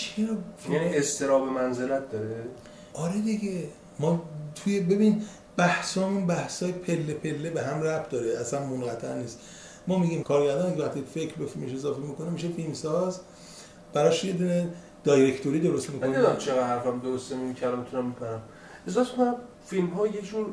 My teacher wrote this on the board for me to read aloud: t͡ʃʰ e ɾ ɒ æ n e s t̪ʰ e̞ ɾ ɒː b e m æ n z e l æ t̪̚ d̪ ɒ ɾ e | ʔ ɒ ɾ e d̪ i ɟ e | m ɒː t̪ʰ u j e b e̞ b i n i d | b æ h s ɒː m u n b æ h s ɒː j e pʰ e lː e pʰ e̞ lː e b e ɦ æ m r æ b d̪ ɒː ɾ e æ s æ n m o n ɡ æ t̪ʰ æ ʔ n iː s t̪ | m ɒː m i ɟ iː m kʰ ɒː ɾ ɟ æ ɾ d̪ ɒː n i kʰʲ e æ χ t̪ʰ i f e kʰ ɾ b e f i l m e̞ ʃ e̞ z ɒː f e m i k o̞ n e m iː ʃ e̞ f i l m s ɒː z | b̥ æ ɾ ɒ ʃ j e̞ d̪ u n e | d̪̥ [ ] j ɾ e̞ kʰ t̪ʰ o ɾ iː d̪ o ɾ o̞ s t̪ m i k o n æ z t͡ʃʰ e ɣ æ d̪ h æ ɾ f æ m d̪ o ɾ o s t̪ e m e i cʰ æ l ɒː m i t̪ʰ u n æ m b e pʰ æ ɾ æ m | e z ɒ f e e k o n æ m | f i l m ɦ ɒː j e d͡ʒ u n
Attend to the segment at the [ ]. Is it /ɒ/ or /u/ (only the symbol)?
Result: ɒ